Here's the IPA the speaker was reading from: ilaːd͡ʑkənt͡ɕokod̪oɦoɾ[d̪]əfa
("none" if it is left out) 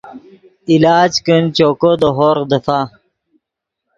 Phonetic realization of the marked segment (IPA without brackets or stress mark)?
d̪